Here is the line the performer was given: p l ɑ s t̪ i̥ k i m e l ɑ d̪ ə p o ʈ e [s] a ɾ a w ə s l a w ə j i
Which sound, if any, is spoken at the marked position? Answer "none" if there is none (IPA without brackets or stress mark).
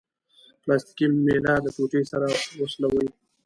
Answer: s